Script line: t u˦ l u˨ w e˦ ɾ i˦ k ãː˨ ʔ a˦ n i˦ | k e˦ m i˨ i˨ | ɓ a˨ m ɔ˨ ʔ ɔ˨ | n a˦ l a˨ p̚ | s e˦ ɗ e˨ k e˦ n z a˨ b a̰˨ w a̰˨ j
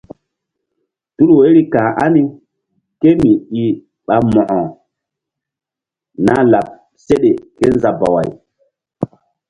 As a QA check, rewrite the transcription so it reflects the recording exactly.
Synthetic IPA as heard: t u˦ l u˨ w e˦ ɾ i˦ k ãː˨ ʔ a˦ n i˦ | k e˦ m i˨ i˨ | ɓ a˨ m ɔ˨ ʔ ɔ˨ | n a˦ l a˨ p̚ | s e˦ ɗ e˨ k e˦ n z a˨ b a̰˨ w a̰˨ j